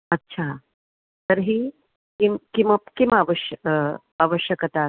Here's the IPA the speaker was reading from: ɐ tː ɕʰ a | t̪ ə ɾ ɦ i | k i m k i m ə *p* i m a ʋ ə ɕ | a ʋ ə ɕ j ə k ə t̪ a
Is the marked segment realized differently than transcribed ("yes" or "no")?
yes